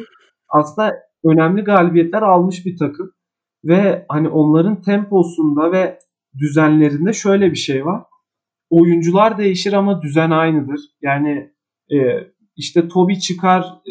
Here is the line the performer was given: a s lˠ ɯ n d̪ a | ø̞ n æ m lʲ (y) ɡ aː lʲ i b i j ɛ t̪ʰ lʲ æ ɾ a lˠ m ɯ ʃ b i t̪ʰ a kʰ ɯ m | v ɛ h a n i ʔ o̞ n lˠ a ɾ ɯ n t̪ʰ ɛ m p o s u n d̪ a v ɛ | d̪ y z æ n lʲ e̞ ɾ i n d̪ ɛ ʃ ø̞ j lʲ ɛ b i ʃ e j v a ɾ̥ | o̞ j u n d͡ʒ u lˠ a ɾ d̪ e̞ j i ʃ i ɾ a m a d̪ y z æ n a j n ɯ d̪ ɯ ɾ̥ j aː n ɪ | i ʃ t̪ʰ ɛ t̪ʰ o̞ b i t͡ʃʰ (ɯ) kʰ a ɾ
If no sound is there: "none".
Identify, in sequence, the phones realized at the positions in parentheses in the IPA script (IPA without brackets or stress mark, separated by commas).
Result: i, ɯ